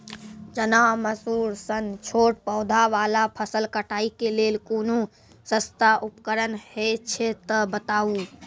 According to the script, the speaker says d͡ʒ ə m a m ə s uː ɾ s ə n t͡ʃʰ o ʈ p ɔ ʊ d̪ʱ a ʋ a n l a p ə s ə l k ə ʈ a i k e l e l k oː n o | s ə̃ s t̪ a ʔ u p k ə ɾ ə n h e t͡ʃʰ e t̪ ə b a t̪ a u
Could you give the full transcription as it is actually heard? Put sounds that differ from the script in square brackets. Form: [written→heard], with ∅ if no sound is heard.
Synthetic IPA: d͡ʒ ə [m→n] a m ə s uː ɾ s ə n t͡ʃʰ o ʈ p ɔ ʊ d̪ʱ a ʋ a [n→∅] l a [p→pʰ] ə s ə l k ə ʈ a i k e l e l k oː n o | s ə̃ s t̪ a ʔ u p k ə ɾ ə n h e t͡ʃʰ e t̪ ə b [a→ə] t̪ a u